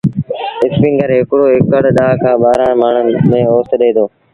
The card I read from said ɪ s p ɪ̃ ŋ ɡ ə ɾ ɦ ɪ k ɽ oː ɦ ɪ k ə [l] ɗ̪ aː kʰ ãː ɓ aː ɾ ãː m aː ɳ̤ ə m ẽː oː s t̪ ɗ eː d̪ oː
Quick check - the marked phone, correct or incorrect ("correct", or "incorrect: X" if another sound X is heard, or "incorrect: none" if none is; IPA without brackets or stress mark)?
incorrect: ɽ